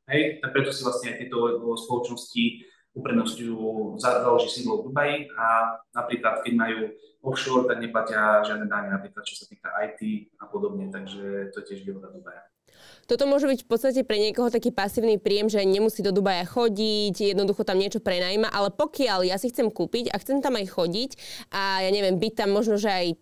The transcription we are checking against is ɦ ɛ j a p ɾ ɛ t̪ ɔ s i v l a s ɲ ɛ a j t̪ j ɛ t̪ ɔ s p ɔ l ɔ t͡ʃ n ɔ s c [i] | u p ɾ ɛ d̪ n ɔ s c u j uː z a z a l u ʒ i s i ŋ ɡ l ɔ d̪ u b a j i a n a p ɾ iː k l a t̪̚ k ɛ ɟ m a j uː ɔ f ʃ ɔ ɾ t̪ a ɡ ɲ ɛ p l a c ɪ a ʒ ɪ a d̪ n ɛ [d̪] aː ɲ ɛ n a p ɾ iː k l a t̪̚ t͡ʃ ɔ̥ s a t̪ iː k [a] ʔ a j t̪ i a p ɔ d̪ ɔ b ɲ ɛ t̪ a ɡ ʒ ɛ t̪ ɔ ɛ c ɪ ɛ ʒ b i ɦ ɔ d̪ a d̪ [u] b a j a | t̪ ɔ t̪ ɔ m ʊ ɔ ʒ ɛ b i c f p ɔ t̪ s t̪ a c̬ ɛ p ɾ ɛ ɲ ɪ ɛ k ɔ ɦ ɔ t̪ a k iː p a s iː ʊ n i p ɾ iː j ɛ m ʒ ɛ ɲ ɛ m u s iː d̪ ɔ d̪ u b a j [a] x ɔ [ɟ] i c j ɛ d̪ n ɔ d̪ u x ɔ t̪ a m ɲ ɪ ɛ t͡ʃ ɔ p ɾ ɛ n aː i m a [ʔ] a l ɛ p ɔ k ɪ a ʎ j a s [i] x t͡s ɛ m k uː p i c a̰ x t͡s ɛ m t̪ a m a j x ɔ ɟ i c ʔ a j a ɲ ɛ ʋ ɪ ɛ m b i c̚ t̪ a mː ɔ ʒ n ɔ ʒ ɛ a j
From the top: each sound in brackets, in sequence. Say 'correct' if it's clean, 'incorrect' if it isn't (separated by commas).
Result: correct, correct, correct, correct, correct, correct, correct, correct